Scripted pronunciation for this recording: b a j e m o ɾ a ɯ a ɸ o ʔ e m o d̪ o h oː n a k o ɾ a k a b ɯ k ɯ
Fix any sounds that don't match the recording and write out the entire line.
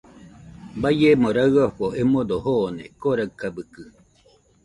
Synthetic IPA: b a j e m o ɾ a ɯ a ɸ o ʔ e m o d̪ o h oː n e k o ɾ a k a b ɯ k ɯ